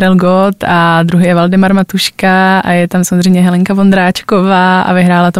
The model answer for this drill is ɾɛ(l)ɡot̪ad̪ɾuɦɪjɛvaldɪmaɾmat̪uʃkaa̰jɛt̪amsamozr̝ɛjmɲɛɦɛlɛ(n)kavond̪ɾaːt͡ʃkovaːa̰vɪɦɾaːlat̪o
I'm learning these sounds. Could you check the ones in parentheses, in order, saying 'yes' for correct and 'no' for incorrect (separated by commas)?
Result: yes, no